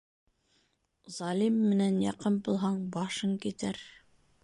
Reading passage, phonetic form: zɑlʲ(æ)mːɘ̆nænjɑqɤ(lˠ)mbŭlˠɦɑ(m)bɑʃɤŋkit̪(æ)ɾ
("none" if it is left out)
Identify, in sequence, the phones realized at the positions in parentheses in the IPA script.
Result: i, none, ɴ, æ

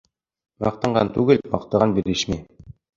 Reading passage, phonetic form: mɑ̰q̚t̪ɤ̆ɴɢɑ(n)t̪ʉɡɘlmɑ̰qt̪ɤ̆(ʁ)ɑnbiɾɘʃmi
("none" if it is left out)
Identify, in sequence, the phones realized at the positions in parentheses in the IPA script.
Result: n, ʁ

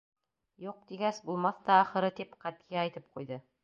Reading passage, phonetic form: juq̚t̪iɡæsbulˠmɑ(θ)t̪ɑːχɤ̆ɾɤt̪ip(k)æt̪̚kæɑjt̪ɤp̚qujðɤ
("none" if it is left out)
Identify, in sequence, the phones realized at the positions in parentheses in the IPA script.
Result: θ, q

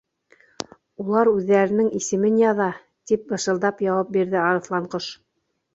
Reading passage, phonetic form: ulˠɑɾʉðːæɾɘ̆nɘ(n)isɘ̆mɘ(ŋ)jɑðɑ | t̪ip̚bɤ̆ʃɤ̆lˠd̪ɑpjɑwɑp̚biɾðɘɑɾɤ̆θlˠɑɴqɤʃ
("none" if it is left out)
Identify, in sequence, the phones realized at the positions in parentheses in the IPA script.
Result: ŋ, n

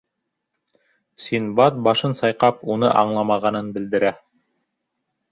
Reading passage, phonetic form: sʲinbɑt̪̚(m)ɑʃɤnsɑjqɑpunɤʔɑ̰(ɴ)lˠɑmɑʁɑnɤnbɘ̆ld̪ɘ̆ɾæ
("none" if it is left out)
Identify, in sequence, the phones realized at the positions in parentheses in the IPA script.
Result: b, ɴ

